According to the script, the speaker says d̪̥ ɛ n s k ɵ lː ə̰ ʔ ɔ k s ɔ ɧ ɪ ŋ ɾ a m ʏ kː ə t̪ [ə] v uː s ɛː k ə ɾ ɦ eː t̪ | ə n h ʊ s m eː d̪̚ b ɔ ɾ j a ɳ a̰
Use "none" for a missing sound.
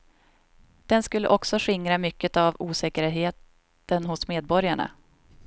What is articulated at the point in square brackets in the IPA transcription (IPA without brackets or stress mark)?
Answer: a